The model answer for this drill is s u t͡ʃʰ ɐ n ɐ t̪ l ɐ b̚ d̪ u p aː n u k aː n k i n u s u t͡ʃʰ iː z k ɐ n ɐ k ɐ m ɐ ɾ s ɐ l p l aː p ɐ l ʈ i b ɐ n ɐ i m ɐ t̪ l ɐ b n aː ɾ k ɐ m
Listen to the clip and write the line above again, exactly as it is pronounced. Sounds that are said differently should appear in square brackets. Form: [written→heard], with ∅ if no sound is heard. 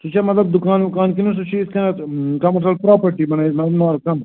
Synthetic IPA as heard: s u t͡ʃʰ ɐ [n→m] ɐ t̪ l ɐ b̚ d̪ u [p→k] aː n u k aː n k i n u s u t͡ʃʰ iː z k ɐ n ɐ k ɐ m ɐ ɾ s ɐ l p [l→ɾ] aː p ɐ [l→ɾ] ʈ i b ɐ n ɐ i m ɐ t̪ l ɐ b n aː ɾ k ɐ m